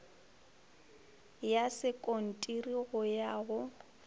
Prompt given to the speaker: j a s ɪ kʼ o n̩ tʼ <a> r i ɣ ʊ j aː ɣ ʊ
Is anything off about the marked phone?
yes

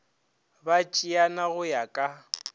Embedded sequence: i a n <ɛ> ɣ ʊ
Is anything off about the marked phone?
yes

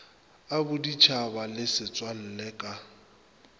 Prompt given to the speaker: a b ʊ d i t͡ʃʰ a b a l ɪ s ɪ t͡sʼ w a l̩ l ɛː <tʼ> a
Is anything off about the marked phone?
yes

